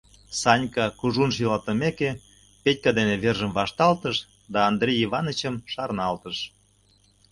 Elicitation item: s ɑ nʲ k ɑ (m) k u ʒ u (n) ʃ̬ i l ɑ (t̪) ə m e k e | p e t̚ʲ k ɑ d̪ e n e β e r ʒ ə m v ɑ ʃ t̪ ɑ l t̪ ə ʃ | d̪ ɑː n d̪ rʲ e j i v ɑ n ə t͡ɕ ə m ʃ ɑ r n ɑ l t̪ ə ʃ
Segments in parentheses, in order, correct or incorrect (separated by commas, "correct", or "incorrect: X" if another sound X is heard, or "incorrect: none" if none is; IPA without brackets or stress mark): incorrect: none, correct, correct